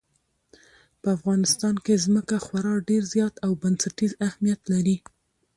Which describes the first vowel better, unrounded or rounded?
unrounded